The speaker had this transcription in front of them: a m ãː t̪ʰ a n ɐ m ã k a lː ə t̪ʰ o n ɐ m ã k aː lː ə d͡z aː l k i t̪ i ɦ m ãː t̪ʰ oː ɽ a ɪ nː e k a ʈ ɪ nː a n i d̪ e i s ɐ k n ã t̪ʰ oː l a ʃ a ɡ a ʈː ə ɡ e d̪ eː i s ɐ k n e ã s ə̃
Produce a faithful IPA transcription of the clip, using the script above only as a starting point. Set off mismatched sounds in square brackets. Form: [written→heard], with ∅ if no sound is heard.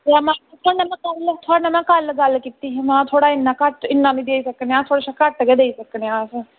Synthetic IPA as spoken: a m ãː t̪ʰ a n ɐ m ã k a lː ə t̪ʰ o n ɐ m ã k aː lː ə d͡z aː l k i t̪ i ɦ m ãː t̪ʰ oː ɽ a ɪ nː [e→a] k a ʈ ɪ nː a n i d̪ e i s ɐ k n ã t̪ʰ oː [l→ɽ] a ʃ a [ɡ→k] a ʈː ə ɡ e d̪ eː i s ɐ k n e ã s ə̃